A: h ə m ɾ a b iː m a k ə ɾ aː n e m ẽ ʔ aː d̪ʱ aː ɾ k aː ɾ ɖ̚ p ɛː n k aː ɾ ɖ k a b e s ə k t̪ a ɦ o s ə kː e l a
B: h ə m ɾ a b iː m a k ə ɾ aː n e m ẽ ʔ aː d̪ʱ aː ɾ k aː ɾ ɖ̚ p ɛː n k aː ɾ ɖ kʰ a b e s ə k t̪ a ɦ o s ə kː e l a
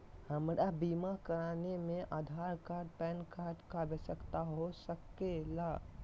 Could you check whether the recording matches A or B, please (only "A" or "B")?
A